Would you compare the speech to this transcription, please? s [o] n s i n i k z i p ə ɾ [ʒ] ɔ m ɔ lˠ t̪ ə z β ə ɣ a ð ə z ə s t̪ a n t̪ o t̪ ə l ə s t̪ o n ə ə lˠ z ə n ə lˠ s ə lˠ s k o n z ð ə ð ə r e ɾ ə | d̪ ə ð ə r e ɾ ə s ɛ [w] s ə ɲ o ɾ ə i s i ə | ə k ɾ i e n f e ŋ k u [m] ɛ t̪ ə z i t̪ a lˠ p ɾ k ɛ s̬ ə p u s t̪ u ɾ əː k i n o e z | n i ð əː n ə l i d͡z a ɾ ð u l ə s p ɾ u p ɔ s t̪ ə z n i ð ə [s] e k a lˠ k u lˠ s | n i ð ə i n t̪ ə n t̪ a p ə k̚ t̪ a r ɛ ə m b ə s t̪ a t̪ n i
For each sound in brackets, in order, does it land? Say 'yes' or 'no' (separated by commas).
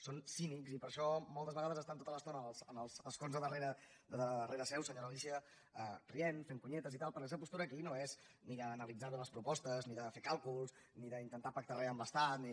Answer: yes, no, yes, no, no